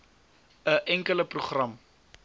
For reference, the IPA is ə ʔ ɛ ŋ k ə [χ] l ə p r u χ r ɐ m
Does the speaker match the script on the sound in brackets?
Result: no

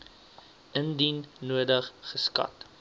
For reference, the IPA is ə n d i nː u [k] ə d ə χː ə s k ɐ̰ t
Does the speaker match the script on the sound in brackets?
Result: no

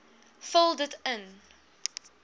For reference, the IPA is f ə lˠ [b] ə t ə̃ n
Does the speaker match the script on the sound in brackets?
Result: no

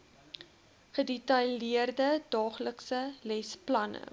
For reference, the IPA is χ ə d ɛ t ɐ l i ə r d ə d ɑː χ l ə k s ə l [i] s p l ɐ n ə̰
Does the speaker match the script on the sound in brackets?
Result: no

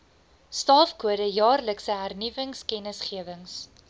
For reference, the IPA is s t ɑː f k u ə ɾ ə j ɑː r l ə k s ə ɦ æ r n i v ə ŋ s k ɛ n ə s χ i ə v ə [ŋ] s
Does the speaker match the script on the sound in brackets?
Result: yes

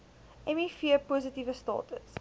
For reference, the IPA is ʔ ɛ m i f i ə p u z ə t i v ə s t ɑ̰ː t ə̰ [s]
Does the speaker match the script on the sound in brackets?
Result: yes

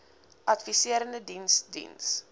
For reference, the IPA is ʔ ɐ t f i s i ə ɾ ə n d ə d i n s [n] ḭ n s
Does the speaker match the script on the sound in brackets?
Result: no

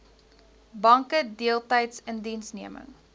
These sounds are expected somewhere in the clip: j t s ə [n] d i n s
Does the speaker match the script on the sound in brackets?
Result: yes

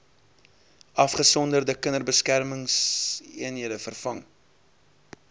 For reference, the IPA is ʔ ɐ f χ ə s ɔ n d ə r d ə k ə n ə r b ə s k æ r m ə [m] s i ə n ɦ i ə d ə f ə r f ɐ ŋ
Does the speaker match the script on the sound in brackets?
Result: no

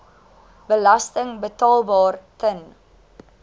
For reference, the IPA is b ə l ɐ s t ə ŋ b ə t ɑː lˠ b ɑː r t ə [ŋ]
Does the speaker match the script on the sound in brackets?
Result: no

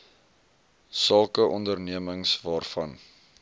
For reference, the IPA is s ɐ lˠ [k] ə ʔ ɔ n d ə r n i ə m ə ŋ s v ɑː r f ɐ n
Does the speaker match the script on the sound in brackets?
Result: yes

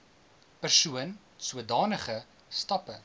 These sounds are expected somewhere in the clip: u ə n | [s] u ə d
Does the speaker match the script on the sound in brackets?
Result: yes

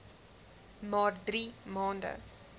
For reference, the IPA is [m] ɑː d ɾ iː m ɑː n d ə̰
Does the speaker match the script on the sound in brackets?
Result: yes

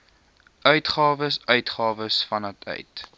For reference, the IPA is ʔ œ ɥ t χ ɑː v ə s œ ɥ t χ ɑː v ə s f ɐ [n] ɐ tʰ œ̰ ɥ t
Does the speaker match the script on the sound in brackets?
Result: yes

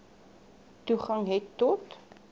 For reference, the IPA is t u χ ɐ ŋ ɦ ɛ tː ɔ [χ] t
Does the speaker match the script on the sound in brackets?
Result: no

